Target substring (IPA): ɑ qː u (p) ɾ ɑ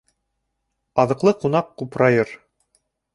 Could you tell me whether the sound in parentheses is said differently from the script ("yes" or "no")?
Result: no